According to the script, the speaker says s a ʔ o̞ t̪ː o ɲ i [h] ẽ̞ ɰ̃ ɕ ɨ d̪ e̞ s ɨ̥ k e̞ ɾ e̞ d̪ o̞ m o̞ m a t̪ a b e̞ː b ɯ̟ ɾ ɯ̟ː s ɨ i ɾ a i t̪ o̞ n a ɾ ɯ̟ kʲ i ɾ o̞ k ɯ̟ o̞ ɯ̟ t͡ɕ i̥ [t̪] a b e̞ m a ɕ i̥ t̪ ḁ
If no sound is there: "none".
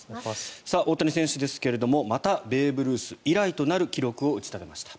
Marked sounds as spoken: s, t̪

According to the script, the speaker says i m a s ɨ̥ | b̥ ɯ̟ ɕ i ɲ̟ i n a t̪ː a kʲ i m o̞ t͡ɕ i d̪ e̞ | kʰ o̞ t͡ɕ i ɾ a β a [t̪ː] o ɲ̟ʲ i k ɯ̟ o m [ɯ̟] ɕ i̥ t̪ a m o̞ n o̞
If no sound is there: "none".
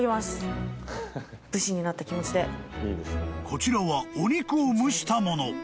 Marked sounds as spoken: none, ɯ̟

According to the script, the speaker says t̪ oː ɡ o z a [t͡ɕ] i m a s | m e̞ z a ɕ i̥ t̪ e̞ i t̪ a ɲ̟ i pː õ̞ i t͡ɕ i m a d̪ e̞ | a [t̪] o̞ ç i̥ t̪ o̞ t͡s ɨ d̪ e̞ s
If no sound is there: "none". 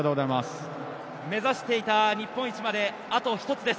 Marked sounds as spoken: none, t̪

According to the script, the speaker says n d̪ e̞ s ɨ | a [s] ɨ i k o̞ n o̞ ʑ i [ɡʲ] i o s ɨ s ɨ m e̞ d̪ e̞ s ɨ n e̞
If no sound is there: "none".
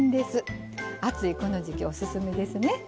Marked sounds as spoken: t͡s, kʲ

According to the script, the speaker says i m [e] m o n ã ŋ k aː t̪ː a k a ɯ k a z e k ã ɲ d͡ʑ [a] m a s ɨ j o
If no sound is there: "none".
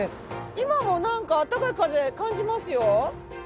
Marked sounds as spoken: a, i

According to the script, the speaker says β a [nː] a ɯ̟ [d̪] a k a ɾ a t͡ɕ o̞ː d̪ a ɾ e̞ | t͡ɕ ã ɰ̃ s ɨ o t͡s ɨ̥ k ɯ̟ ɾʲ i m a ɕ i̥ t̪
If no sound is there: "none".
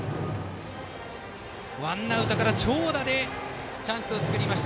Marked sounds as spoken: nː, t̪

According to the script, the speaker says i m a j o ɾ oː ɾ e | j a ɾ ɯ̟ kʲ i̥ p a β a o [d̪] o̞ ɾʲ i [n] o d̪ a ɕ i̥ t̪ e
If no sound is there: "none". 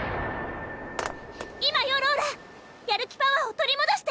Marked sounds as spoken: t̪, m

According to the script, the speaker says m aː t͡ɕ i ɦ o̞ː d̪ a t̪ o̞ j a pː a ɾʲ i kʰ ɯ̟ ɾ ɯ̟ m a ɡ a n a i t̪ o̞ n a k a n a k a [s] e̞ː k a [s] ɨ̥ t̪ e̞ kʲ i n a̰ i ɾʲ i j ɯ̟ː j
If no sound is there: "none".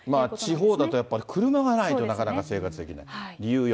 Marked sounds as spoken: s, t͡s

